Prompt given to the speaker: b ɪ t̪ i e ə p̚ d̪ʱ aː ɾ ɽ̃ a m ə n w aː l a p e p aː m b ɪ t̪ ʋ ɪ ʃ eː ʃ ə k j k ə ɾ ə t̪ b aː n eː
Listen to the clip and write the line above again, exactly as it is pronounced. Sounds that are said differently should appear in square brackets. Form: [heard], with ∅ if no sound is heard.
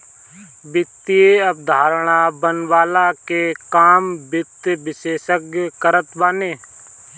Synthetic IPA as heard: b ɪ t̪ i e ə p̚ d̪ʱ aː ɾ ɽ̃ a [b] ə n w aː l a [k] e [k] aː m b ɪ t̪ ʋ ɪ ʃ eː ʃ ə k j k ə ɾ ə t̪ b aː n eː

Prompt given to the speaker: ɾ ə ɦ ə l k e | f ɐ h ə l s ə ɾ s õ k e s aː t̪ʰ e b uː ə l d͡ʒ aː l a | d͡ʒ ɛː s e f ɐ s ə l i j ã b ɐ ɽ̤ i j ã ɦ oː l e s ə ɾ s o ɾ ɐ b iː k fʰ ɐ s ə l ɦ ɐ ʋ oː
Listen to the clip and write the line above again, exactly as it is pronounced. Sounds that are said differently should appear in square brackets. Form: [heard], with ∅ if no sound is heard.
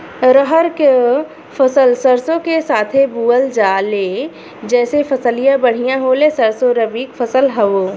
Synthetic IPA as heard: ɾ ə ɦ ə [ɾ] k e | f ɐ [s] ə l s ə ɾ s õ k e s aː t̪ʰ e b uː ə l d͡ʒ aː l [e] | d͡ʒ ɛː s e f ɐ s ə l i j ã b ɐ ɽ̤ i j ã ɦ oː l e s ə ɾ s o ɾ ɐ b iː k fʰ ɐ s ə l ɦ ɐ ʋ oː

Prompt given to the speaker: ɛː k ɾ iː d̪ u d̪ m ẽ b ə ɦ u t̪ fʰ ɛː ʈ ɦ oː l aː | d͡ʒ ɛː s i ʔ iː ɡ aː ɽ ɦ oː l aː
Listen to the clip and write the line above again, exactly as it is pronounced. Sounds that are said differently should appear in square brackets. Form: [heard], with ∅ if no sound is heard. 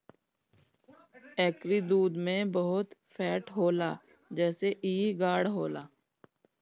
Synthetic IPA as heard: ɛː k ɾ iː d̪ [uː] d̪ m ẽ b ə ɦ [ʊ] t̪ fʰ ɛː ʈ ɦ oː l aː | d͡ʒ ɛː s [e] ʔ iː ɡ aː ɽ ɦ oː l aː

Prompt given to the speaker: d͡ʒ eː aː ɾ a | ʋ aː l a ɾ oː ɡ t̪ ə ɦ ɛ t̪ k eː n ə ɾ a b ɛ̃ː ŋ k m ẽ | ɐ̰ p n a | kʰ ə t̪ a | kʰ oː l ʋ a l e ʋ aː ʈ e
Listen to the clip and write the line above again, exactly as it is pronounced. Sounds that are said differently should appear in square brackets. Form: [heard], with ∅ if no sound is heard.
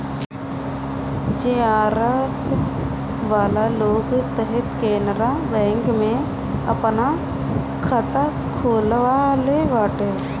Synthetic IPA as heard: d͡ʒ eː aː ɾ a | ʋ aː l a [l] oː ɡ t̪ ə ɦ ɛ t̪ k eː n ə ɾ a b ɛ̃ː ŋ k m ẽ | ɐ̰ p n a | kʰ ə t̪ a | kʰ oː l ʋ a l e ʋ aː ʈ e

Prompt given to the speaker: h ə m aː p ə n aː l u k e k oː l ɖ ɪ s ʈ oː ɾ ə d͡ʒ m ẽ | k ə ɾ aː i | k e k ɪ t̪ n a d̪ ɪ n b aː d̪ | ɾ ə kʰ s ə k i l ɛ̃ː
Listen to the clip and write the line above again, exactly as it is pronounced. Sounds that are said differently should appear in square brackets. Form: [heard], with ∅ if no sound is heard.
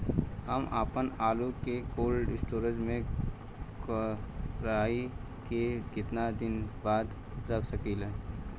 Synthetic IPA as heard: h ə m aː p ə n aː l u k e k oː l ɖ ɪ s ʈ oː ɾ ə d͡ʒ m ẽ | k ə ɾ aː i | k e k ɪ t̪ n a d̪ ɪ n b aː d̪ | ɾ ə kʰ s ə k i l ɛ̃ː

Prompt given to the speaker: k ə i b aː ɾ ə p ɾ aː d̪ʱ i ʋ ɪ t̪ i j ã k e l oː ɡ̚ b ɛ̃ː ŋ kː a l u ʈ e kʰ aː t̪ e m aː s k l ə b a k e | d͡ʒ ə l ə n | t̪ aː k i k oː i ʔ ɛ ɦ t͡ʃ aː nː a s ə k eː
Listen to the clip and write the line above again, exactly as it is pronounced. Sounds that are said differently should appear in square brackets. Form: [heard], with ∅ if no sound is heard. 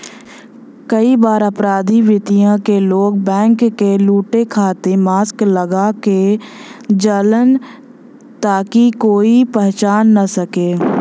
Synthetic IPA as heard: k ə i b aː ɾ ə p ɾ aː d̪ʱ i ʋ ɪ t̪ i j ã k e l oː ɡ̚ b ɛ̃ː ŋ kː [e] l [uː] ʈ e kʰ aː t̪ e m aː s k l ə [ɡ] a k e | d͡ʒ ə l ə n | t̪ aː k i k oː i [p] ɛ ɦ t͡ʃ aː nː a s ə k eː

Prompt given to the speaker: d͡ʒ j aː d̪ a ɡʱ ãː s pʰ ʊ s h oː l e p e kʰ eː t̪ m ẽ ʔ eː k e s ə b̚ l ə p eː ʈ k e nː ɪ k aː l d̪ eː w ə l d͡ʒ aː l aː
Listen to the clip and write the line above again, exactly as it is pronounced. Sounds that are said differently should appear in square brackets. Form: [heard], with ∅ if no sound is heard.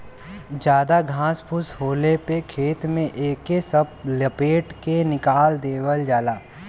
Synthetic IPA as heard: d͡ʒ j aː d̪ a ɡʱ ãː s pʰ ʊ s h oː l e p e kʰ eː t̪ m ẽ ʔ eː k e s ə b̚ l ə p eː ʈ k e [n] ɪ k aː l d̪ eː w ə l d͡ʒ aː l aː

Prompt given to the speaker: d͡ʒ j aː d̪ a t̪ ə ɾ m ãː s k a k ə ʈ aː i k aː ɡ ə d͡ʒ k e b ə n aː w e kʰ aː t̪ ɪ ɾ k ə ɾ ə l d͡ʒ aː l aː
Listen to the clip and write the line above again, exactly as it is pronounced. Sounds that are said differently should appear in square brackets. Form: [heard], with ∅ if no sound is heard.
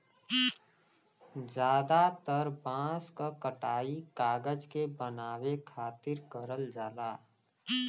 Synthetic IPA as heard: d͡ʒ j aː d̪ a t̪ ə ɾ [b] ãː s k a k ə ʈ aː i k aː ɡ ə d͡ʒ k e b ə n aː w e kʰ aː t̪ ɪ ɾ k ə ɾ ə l d͡ʒ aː l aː

